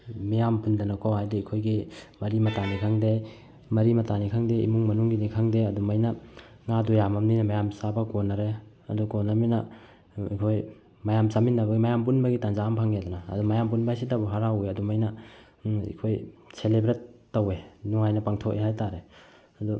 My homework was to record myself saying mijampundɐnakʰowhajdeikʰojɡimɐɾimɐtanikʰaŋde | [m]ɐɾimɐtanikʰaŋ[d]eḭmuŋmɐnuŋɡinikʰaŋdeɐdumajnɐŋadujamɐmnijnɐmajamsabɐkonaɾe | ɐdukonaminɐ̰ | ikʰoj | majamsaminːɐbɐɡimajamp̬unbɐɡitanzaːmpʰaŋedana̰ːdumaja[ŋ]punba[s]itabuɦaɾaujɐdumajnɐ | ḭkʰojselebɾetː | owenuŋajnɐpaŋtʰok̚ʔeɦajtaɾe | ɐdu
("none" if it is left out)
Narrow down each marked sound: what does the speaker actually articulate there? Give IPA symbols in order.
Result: m, d, m, s

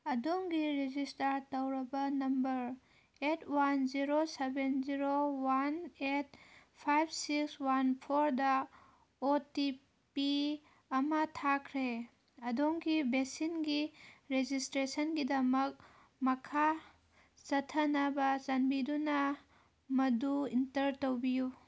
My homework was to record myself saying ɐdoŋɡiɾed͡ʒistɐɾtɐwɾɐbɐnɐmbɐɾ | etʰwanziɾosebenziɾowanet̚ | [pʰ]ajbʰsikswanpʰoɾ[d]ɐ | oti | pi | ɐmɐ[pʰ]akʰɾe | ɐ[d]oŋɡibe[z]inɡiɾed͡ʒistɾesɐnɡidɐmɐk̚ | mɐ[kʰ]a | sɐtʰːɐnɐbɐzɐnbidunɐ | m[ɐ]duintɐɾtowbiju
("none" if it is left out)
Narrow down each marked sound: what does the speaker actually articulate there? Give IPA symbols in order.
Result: pʰ, d, tʰ, d, s, kʰ, ɐ

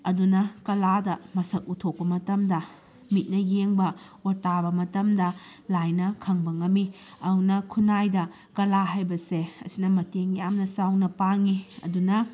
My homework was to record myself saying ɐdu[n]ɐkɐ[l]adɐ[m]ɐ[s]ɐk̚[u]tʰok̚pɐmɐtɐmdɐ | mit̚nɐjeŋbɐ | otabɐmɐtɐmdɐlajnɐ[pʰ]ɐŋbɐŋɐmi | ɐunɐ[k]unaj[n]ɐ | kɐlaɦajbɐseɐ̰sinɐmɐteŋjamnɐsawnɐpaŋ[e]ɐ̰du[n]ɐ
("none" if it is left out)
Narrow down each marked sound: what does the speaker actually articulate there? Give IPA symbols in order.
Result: n, l, m, s, u, kʰ, kʰ, d, i, n

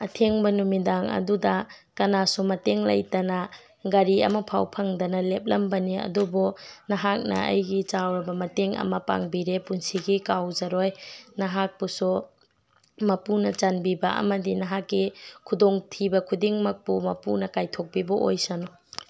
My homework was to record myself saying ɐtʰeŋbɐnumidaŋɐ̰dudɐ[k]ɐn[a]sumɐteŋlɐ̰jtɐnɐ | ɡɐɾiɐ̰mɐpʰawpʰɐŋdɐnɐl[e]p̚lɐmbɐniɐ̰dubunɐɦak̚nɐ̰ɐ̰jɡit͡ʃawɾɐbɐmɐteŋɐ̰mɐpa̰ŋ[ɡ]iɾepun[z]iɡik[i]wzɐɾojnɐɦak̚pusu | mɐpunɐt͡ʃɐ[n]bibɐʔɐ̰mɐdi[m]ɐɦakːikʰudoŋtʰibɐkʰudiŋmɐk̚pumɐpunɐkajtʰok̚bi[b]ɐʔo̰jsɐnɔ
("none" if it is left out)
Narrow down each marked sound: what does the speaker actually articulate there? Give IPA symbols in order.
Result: k, a, e, b, s, a, n, n, b

